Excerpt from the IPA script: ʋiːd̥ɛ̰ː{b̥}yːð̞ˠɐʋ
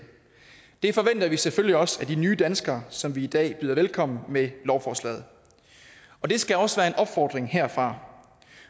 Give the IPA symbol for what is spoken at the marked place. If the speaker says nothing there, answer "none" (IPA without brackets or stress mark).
b̥